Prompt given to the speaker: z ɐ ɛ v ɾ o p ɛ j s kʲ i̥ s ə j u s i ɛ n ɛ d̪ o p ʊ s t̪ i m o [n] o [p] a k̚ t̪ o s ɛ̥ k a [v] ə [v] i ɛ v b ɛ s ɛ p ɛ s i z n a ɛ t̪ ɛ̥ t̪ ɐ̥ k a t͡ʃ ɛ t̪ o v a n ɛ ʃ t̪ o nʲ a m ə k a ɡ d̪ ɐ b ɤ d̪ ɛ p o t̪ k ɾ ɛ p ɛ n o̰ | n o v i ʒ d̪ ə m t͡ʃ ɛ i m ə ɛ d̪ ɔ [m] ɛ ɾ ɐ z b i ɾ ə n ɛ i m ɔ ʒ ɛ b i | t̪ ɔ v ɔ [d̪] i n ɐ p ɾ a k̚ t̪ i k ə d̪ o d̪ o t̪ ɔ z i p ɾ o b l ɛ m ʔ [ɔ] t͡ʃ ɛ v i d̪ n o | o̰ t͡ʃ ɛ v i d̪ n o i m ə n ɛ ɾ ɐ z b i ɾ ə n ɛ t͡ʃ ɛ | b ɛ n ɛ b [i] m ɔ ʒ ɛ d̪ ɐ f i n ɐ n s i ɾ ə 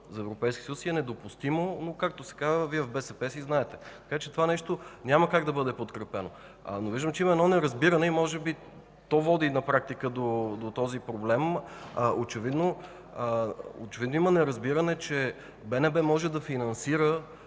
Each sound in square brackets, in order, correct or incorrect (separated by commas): correct, incorrect, incorrect, correct, incorrect, correct, incorrect, incorrect